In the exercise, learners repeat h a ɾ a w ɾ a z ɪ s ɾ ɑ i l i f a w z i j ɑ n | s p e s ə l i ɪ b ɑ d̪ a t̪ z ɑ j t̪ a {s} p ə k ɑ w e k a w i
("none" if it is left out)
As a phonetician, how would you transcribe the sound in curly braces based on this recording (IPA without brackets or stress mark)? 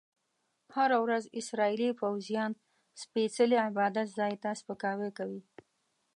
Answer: s